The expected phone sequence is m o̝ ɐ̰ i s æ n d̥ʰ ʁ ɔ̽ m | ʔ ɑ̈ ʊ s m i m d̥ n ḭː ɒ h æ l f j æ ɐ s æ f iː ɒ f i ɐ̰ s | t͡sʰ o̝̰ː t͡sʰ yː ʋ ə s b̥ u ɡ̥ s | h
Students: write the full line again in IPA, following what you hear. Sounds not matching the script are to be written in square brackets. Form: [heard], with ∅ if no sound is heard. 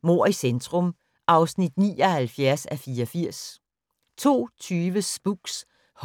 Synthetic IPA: m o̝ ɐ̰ i s [e] n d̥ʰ ʁ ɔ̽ m | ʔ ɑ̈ ʊ s [n] i [∅] d̥ n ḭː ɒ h æ l f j æ ɐ s æ f iː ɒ f i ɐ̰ s | t͡sʰ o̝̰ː t͡sʰ yː ʋ ə s b̥ u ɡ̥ s | h

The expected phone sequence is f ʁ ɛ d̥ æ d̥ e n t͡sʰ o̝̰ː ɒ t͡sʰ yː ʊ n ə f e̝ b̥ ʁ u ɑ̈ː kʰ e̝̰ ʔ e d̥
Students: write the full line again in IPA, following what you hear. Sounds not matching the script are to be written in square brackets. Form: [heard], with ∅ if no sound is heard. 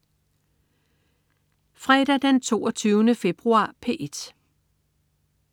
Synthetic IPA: f ʁ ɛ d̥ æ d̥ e n t͡sʰ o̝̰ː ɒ t͡sʰ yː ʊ n ə f e̝ b̥ ʁ u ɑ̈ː [pʰ] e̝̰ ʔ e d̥

